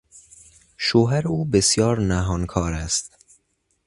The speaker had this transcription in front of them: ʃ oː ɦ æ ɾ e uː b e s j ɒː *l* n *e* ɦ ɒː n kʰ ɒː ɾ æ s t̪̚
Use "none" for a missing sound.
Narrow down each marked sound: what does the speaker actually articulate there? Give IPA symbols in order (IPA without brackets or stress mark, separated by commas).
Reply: ɾ, æ